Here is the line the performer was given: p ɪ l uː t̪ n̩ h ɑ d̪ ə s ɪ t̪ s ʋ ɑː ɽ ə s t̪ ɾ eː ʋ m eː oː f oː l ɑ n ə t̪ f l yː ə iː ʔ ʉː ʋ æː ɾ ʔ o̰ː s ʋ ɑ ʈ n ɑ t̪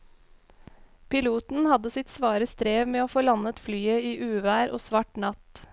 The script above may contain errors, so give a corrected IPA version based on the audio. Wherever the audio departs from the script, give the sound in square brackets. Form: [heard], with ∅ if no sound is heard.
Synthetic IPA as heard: p ɪ l uː t̪ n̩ h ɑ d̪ ə s ɪ t̪ s ʋ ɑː [ɾ] ə s t̪ ɾ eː ʋ m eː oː f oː l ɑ n ə t̪ f l yː ə iː ʔ ʉː ʋ æː ɾ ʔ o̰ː s ʋ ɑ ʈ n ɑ t̪